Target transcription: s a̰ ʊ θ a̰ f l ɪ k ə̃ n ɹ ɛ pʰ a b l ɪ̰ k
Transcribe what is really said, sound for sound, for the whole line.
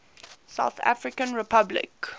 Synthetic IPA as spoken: s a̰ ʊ θ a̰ f ɹ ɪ k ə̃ n ɹ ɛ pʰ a b l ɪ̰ k

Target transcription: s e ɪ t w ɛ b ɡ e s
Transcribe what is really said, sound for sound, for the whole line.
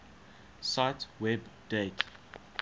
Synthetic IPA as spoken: s a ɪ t w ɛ b d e t

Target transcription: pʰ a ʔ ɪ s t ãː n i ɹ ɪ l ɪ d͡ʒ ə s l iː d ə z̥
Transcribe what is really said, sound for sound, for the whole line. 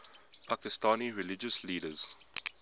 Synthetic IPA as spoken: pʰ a k ɪ s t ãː n i ɹ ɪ l ɪ d͡ʒ ə s l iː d ə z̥

